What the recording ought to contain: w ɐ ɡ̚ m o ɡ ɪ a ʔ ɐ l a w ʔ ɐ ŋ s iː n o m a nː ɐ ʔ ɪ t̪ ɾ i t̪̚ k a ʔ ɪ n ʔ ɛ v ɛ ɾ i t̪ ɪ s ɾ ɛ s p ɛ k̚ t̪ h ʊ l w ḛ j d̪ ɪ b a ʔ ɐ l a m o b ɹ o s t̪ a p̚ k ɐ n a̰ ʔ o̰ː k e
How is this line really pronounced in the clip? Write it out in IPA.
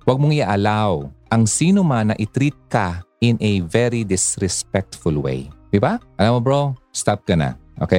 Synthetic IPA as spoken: w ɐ ɡ̚ m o ŋ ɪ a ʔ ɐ l a w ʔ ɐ ŋ s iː n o m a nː ɐ ʔ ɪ t̪ ɾ i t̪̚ k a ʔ ɪ n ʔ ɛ v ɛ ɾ i d̪ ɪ s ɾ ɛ s p ɛ k̚ t̪ f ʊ l w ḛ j d̪ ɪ b a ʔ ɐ l a m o b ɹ o s t̪ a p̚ k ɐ n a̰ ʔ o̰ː k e